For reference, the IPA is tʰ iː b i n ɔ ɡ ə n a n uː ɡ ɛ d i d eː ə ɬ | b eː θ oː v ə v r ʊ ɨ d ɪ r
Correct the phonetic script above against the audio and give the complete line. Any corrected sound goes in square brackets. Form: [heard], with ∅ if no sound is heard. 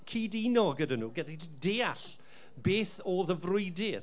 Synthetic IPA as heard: [kʰ] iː [d] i n ɔ ɡ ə [d] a n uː ɡ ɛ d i d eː [a] ɬ | b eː θ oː [ð] ə v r ʊ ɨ d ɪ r